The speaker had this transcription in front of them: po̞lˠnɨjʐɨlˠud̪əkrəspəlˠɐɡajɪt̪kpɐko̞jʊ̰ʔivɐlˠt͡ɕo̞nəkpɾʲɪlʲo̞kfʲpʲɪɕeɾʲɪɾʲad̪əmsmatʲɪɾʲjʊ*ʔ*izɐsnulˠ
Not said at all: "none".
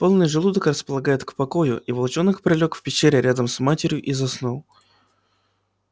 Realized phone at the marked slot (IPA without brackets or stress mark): ʔ